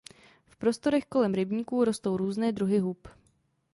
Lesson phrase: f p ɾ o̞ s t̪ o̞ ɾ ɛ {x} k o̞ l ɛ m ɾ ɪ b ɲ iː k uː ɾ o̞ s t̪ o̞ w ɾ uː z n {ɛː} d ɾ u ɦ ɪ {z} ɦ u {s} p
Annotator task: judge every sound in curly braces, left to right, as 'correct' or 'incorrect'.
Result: correct, correct, incorrect: none, incorrect: none

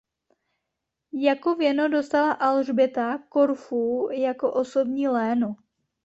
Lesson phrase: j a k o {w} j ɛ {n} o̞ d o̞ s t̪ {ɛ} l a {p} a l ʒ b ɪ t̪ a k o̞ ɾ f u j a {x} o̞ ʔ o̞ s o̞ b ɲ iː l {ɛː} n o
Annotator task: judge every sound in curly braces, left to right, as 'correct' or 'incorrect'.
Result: incorrect: v, correct, incorrect: a, incorrect: ʔ, incorrect: k, correct

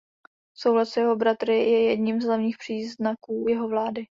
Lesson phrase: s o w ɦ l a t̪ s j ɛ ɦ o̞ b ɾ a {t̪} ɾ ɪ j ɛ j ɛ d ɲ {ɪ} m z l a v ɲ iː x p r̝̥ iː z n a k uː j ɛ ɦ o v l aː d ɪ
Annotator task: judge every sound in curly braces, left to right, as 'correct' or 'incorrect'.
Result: correct, incorrect: i

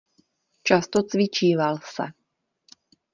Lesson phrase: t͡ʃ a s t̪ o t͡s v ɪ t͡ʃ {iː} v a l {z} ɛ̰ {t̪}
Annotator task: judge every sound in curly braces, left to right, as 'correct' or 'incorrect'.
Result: correct, incorrect: s, incorrect: none

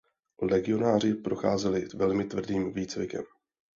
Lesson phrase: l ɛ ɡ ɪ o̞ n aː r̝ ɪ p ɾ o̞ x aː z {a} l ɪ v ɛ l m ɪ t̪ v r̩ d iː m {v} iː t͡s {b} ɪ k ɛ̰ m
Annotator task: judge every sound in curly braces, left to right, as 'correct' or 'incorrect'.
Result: incorrect: ɛ, correct, incorrect: v

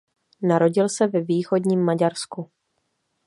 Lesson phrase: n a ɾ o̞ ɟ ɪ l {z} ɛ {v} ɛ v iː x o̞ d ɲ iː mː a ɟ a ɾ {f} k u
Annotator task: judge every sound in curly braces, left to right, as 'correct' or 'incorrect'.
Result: incorrect: s, correct, incorrect: s

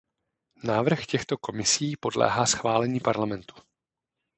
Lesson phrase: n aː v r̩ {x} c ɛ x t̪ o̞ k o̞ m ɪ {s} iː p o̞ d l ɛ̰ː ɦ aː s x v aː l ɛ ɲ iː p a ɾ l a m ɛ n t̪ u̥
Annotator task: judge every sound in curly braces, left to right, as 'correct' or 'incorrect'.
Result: correct, correct

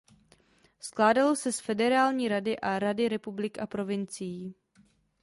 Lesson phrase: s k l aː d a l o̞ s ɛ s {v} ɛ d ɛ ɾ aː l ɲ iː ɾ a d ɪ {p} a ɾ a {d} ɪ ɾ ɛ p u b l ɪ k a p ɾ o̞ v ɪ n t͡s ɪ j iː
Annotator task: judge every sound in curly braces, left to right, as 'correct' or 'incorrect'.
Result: incorrect: f, incorrect: ʔ, correct

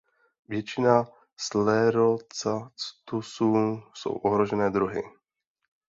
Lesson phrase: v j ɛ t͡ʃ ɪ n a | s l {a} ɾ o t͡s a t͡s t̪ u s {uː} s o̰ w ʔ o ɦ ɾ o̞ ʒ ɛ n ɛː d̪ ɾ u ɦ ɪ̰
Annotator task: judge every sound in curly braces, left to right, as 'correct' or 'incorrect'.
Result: incorrect: ɛ, correct

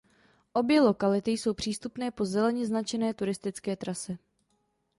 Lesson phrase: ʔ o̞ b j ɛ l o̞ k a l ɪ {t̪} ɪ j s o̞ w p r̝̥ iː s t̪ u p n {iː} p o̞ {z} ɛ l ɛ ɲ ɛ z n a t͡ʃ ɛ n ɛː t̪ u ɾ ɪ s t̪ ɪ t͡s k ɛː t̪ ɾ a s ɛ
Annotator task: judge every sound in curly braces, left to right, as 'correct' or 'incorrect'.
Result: correct, incorrect: ɛː, correct

